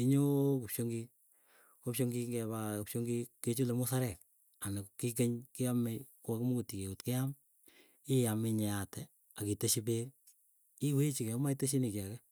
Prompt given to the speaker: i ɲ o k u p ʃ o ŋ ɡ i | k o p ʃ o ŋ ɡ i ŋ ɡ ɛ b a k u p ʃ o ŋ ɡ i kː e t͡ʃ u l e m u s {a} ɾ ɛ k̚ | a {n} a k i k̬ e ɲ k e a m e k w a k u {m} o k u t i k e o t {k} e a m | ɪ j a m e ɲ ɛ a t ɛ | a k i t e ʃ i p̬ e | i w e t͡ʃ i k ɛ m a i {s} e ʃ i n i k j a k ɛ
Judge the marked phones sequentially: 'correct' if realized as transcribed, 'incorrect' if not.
correct, correct, correct, correct, incorrect: t

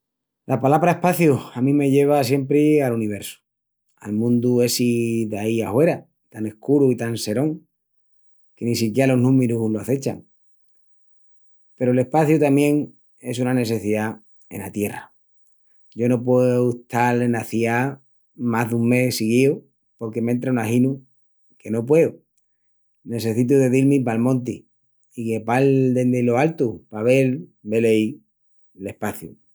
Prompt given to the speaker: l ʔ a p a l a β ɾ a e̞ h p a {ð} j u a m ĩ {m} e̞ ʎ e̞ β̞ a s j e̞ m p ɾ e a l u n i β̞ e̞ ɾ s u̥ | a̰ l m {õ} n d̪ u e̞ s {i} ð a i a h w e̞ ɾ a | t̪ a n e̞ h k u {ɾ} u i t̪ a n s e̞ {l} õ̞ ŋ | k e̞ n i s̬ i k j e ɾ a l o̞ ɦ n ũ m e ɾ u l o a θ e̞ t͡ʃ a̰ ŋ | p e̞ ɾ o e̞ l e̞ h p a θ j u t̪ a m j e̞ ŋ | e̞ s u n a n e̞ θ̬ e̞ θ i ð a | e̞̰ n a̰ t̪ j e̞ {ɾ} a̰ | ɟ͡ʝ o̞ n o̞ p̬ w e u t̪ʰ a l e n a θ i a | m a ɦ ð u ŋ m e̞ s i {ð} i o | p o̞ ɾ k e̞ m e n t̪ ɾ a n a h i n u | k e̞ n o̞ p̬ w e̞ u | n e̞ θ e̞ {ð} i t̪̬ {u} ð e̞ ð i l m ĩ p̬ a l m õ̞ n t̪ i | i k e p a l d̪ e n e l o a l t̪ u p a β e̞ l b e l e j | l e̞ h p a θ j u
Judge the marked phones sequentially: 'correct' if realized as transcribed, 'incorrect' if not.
incorrect: θ, correct, incorrect: ũ, correct, correct, incorrect: ɾ, incorrect: r, incorrect: ɣ, incorrect: θ, correct

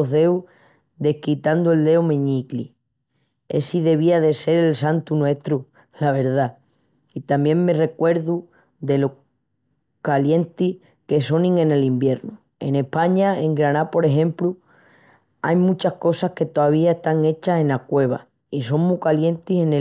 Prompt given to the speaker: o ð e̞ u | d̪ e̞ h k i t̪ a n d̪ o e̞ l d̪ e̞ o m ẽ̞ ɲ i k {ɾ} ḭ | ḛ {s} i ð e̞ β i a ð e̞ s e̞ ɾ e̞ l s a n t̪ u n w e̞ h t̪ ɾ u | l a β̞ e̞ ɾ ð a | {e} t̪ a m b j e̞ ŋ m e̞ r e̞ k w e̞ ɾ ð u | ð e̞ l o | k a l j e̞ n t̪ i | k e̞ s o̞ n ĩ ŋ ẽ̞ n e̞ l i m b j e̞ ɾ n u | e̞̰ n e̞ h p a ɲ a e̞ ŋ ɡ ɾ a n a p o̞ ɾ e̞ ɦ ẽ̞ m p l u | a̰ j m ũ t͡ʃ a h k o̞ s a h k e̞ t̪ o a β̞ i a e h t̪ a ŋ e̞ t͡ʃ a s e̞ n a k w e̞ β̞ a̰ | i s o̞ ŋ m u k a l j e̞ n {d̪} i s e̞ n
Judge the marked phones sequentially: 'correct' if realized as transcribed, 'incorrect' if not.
incorrect: l, correct, incorrect: i, incorrect: t̪

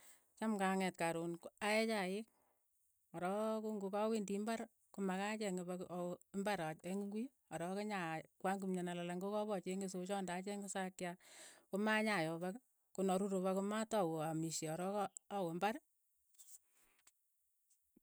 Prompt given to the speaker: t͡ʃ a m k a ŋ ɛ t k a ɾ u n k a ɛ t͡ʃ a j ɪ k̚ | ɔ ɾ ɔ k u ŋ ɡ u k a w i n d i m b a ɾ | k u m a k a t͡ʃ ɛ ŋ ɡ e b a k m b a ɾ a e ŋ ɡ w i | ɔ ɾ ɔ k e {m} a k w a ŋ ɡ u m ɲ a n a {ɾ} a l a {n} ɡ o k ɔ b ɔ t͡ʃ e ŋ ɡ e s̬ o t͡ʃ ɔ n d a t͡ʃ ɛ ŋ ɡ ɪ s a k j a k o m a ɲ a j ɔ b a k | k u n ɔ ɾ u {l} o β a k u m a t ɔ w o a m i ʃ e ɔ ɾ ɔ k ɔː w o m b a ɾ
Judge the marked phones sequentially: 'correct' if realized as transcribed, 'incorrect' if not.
incorrect: ɲ, incorrect: l, incorrect: ŋ, incorrect: ɾ

